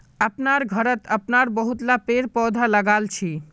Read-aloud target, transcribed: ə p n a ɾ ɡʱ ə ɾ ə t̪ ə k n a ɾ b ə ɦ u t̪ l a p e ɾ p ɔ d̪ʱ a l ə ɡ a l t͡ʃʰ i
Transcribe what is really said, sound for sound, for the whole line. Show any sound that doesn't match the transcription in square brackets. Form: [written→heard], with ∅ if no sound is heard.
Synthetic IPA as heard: ə p n a ɾ ɡʱ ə ɾ ə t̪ ə [k→p] n a ɾ b ə ɦ u t̪ l a p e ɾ p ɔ d̪ʱ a l ə ɡ a l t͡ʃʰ i